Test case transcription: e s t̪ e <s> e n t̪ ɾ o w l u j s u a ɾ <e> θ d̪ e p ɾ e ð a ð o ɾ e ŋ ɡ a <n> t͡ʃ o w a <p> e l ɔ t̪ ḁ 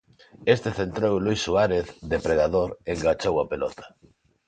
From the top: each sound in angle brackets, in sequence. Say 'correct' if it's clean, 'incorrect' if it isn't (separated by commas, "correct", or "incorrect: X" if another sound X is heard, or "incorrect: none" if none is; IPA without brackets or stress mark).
incorrect: θ, correct, incorrect: none, correct